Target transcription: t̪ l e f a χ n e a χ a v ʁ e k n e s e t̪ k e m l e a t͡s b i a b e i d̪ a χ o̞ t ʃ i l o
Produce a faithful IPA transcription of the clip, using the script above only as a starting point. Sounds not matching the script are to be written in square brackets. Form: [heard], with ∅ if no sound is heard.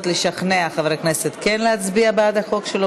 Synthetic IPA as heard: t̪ l e [ʃ] a χ n e a χ a v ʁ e k n e s e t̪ k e [n] l e a t͡s b i a b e [a] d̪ a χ o̞ [k] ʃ [e] l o